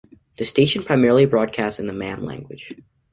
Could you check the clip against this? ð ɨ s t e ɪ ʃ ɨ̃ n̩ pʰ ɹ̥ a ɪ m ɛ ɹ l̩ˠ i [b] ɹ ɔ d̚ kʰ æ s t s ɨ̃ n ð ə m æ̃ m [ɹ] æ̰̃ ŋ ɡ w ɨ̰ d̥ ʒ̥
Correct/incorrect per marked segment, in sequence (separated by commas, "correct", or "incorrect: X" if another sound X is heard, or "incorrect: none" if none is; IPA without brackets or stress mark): correct, incorrect: l